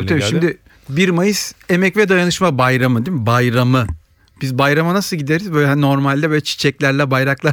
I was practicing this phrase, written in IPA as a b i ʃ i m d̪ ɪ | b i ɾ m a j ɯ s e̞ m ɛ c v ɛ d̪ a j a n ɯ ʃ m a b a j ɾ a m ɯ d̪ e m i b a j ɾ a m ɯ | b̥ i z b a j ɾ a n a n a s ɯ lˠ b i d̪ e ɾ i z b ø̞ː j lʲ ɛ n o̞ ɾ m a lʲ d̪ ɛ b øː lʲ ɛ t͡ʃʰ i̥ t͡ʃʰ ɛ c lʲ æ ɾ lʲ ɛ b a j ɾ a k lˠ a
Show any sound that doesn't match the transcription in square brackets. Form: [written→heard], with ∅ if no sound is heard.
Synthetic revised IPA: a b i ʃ i m d̪ ɪ | b i ɾ m a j ɯ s e̞ m ɛ c v ɛ d̪ a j a n ɯ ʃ m a b a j ɾ a m ɯ d̪ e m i b a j ɾ a m ɯ | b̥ i z b a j ɾ a [n→m] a n a s ɯ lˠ [b→ɟ] i d̪ e ɾ i z b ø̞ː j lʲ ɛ n o̞ ɾ m a lʲ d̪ ɛ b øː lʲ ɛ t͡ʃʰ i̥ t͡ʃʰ ɛ c lʲ æ ɾ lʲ ɛ b a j ɾ a k lˠ a